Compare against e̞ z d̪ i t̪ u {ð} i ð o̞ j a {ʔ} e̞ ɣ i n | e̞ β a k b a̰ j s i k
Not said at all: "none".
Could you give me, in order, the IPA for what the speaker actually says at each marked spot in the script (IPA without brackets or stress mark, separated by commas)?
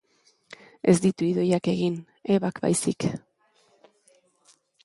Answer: none, k